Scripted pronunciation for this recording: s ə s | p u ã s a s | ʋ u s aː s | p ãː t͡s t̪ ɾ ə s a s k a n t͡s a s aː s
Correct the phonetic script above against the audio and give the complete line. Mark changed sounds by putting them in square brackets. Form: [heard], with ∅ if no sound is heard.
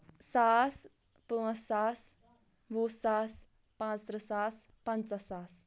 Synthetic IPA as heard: s [a] s | p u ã s a s | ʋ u s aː s | p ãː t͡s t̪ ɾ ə s a s [p] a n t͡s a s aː s